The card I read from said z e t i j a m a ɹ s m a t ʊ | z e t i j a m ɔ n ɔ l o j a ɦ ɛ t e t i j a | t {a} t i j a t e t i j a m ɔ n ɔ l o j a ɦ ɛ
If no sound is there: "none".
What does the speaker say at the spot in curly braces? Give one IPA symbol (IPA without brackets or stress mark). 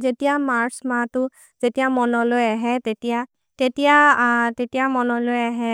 e